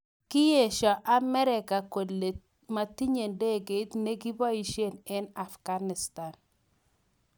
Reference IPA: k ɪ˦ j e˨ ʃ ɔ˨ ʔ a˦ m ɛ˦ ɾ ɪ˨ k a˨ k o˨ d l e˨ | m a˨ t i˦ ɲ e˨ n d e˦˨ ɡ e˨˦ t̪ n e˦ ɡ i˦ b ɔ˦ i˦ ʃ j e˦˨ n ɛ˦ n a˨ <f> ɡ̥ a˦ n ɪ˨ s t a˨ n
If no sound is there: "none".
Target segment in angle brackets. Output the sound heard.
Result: f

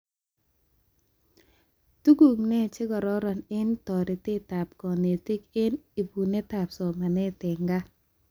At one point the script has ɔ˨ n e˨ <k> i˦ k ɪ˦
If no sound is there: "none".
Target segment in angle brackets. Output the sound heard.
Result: t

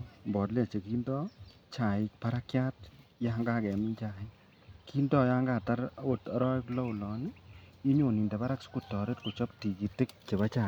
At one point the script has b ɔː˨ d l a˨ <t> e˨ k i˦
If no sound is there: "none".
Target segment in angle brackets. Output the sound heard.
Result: t͡ʃ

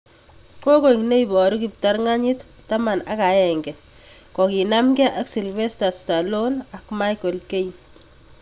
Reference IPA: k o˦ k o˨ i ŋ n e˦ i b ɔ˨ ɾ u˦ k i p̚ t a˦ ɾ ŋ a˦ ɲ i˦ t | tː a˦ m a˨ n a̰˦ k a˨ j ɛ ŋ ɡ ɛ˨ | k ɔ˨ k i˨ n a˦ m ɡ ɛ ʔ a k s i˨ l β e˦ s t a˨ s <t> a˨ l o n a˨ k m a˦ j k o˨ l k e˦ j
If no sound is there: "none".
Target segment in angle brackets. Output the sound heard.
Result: t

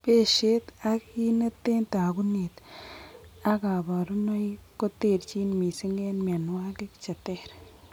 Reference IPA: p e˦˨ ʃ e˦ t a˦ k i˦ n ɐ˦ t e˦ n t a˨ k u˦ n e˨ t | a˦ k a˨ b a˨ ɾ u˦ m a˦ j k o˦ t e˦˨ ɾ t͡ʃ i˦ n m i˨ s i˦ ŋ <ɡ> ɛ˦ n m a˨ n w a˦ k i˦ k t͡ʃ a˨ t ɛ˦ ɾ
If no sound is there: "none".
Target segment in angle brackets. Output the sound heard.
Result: ɡ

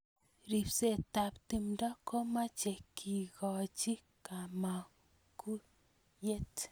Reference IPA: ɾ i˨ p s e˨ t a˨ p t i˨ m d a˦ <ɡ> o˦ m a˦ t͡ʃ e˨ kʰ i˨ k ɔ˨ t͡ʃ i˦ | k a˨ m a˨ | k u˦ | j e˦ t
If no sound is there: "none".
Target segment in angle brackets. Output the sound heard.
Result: k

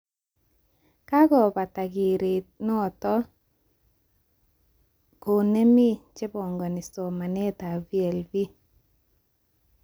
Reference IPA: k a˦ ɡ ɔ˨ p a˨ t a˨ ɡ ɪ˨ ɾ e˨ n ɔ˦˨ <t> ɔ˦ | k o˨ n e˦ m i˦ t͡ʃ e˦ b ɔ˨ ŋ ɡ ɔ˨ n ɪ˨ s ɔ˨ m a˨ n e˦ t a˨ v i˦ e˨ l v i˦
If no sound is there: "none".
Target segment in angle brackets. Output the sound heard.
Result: t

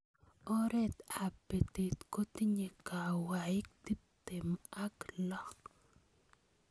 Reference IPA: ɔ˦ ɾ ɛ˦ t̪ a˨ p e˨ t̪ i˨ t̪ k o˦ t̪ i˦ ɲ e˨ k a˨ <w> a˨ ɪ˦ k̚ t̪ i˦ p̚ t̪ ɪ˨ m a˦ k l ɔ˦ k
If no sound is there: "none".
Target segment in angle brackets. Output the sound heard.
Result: w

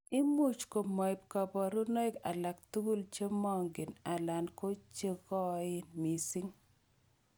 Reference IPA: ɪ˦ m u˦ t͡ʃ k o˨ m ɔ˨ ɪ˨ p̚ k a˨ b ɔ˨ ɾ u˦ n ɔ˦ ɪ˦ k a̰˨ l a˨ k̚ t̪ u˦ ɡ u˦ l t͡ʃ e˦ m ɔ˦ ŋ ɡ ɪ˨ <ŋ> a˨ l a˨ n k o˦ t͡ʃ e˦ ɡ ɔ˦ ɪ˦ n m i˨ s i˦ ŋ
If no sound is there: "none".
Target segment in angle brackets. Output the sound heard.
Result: n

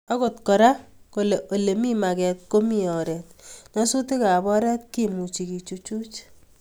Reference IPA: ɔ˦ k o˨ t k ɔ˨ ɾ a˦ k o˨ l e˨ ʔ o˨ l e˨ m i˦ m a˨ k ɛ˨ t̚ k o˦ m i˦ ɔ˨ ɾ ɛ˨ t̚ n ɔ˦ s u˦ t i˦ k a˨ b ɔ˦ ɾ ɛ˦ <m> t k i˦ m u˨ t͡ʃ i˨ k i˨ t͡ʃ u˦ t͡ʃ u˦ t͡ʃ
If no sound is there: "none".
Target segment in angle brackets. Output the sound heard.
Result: none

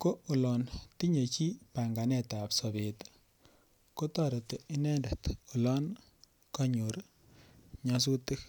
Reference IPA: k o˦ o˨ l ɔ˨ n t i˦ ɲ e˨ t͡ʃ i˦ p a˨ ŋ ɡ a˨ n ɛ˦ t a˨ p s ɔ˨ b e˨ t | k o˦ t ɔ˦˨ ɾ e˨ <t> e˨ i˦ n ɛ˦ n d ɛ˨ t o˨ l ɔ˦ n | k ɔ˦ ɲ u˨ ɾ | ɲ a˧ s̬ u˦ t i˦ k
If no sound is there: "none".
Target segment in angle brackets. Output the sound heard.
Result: t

